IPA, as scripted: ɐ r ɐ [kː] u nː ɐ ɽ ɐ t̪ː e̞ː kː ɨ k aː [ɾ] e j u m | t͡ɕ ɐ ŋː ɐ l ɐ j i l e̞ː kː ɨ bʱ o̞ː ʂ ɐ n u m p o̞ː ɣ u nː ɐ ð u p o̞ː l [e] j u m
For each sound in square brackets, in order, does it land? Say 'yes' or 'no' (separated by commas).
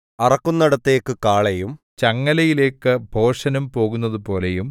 yes, no, yes